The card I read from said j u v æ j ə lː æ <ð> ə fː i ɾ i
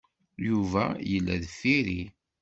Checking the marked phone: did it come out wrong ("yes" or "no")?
no